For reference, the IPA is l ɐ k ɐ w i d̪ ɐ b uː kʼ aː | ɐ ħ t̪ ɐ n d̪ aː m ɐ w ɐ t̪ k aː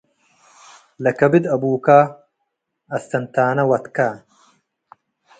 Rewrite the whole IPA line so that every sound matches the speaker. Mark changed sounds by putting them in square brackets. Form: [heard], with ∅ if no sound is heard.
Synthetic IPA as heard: l ɐ k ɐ [b] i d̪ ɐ b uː [k] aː | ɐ [s] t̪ ɐ n [t̪] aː [n] ɐ w ɐ t̪ k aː